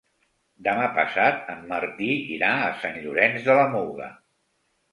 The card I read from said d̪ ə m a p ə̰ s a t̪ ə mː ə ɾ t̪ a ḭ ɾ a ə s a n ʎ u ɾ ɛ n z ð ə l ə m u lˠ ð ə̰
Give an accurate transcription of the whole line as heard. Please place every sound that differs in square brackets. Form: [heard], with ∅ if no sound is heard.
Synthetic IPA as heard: d̪ ə m a p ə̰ s a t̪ ə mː ə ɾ t̪ [i] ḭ ɾ a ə s a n ʎ u ɾ ɛ n z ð ə l ə m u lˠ [ɣ] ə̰